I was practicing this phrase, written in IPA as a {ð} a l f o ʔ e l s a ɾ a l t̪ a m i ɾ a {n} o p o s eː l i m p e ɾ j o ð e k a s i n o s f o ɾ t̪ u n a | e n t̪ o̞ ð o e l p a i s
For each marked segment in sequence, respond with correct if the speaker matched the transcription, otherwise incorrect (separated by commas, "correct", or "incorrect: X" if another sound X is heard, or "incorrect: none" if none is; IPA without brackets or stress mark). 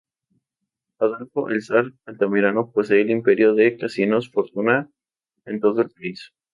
correct, correct